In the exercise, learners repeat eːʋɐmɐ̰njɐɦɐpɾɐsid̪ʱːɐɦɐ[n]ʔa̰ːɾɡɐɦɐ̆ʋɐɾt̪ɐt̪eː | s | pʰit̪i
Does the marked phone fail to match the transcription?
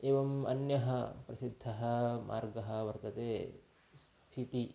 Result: yes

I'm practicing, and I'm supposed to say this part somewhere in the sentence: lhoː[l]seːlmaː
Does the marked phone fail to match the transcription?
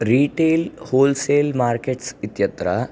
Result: no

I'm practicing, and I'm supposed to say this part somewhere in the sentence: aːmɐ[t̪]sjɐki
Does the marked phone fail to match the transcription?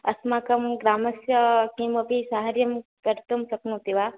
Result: yes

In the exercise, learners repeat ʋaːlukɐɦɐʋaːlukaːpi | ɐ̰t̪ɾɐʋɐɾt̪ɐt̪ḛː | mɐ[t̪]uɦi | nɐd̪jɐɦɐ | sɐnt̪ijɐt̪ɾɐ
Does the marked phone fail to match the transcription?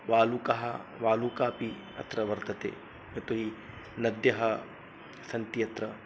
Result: no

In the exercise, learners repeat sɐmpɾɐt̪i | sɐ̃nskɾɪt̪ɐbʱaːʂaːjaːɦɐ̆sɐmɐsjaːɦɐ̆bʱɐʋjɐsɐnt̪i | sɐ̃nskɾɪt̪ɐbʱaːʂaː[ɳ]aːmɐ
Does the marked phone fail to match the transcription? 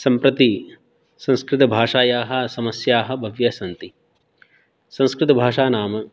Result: yes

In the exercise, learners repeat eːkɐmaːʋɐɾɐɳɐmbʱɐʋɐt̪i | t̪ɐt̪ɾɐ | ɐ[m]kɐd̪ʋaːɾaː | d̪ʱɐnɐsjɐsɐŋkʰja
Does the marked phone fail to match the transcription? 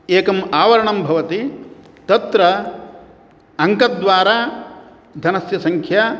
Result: yes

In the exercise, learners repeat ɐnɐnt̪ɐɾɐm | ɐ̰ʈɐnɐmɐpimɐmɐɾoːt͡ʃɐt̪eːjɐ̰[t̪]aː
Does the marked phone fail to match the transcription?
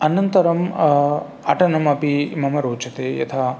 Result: yes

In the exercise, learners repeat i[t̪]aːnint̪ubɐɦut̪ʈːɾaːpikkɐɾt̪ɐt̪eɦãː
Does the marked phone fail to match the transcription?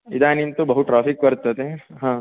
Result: yes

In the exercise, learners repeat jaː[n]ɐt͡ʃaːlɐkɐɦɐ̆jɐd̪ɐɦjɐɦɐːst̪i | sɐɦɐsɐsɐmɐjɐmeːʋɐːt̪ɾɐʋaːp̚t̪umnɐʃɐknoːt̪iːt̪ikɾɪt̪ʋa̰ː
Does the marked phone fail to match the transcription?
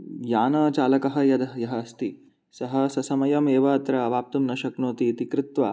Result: no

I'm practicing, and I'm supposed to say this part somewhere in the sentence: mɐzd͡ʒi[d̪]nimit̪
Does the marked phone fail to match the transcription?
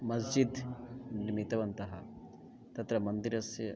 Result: no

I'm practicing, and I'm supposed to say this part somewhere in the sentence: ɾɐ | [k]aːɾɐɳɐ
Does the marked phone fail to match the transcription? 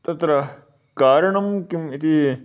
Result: no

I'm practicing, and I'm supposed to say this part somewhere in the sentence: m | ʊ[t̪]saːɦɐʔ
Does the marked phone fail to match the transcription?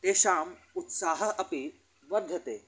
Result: no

